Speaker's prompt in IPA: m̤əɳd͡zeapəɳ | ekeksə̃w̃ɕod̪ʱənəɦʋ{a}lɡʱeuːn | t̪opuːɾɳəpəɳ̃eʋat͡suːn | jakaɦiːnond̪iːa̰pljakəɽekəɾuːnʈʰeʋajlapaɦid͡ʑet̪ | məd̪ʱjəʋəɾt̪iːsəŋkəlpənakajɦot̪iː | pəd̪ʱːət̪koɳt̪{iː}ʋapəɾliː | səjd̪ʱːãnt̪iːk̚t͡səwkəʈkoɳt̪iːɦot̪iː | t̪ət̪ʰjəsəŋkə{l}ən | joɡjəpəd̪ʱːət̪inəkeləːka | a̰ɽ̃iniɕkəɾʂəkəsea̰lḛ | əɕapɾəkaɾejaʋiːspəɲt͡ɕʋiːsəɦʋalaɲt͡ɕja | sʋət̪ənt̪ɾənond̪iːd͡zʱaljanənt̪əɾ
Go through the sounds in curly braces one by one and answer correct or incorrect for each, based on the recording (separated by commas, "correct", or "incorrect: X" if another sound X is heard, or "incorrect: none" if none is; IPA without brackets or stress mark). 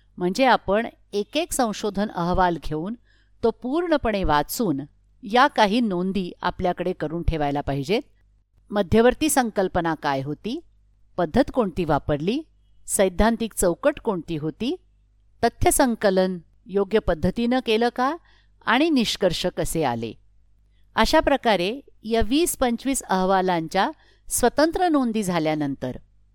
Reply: correct, correct, correct